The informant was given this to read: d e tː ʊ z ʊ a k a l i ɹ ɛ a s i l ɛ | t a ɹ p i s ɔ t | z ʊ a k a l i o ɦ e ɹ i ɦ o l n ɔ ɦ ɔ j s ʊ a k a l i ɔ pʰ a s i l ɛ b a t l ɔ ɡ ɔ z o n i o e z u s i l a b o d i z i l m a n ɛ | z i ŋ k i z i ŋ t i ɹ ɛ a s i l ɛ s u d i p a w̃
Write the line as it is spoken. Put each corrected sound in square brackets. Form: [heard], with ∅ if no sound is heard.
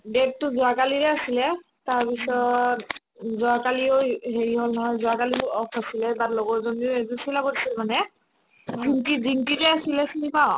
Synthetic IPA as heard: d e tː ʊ z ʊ a k a l i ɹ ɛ a s i l ɛ | t a ɹ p i s ɔ t | z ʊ a k a l i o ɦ e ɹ i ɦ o l n ɔ ɦ ɔ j [z] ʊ a k a l i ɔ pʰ a s i l ɛ b a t l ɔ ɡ ɔ z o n i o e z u s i l a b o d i [s] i l m a n ɛ | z i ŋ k i z i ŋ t i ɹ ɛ a s i l ɛ s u [n] i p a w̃